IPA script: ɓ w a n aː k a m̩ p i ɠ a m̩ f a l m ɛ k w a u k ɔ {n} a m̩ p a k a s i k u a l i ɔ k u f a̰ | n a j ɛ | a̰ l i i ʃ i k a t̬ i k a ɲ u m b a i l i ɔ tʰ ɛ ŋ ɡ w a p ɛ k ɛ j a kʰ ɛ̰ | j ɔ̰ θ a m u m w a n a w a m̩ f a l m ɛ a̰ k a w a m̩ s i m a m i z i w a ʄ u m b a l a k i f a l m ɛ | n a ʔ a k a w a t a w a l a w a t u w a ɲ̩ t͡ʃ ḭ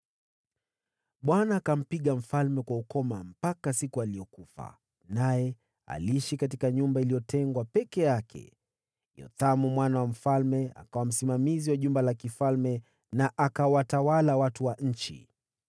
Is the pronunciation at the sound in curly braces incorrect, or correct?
incorrect